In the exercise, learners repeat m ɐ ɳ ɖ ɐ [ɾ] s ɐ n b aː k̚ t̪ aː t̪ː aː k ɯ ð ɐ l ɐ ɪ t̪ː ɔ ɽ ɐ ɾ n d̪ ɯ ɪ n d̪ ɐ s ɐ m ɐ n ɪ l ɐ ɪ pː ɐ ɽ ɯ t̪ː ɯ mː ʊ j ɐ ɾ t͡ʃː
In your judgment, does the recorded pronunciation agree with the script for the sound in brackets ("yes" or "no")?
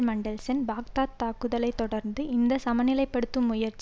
no